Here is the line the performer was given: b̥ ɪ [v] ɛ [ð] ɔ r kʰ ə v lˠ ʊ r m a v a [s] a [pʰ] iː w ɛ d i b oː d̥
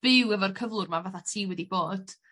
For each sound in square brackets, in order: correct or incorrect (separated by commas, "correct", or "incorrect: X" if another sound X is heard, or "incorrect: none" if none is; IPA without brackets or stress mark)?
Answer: incorrect: w, incorrect: v, incorrect: θ, incorrect: tʰ